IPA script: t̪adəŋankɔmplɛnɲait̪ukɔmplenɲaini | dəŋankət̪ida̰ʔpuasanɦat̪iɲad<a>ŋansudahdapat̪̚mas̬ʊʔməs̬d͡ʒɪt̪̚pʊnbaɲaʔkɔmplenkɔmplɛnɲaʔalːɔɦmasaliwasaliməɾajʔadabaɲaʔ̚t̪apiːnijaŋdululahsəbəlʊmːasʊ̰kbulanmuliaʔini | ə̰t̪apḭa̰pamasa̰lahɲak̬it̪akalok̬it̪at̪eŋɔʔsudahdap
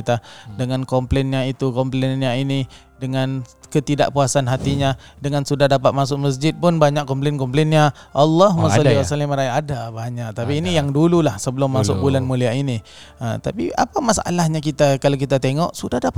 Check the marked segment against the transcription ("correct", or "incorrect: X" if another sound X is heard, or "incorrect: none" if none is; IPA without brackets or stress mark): incorrect: ə